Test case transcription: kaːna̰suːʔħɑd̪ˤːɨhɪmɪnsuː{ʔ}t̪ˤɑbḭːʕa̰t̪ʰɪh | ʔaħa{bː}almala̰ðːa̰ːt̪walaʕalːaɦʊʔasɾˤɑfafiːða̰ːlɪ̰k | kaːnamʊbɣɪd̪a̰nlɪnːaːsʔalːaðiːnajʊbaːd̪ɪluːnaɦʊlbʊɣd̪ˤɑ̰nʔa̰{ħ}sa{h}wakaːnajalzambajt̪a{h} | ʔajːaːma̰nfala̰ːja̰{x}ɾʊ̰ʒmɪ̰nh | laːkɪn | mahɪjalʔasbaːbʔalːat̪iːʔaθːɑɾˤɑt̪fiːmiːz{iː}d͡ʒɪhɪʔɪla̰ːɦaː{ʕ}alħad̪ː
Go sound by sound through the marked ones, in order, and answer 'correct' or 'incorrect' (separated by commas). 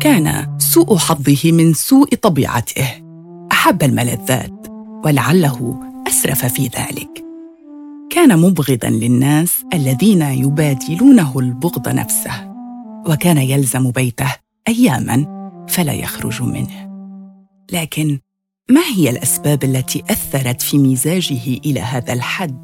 correct, correct, incorrect, correct, correct, correct, incorrect, incorrect